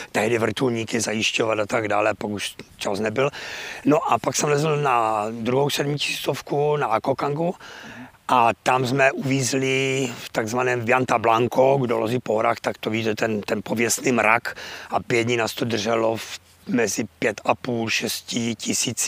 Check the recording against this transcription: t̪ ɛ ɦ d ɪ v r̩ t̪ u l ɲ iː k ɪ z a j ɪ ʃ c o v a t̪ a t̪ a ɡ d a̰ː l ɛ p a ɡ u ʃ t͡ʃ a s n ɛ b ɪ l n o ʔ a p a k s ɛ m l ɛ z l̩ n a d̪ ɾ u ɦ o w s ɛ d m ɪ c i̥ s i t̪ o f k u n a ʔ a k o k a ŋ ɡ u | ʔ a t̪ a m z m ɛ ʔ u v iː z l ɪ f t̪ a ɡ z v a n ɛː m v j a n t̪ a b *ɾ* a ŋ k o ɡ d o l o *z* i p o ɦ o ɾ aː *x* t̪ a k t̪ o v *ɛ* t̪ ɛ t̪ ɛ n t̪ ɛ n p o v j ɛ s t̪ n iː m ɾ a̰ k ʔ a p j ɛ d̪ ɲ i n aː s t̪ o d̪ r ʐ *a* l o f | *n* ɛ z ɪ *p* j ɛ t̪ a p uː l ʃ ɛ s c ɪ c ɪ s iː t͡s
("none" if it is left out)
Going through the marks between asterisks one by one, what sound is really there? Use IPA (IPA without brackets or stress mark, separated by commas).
l, z, x, i, ɛ, m, p